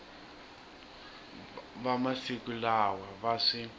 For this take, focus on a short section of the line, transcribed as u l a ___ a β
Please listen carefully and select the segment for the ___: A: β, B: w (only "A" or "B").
B